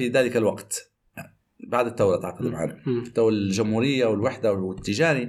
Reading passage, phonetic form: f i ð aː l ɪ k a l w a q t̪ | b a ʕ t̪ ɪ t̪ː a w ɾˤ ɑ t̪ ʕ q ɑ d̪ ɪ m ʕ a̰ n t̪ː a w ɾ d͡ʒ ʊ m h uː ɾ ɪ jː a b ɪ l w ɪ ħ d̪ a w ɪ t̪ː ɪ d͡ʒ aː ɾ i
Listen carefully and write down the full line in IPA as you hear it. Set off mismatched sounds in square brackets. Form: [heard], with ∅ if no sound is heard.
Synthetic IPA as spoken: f i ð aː l ɪ k a l w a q t̪ | b a ʕ [d̪] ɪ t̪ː a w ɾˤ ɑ t̪ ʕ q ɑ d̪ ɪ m ʕ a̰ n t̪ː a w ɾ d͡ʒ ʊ m h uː ɾ ɪ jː a [w] ɪ l w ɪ ħ d̪ a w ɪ t̪ː ɪ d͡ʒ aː ɾ i